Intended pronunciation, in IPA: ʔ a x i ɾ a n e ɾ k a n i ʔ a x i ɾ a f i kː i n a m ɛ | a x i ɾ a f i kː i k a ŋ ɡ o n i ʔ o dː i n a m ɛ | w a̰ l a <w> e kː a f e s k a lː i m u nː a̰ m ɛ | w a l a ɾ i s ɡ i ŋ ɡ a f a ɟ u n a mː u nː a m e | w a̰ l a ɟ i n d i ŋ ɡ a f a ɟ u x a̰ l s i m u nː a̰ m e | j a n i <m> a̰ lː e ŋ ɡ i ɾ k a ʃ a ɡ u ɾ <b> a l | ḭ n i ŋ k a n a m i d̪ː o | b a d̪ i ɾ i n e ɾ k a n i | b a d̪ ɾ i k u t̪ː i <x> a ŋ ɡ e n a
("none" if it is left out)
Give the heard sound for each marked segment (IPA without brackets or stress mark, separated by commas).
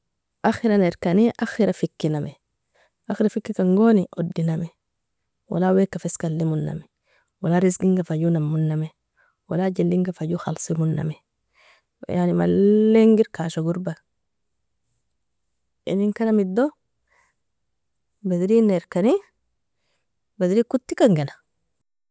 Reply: w, m, b, k